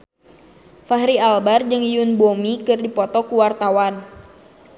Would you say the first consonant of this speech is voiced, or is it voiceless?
voiceless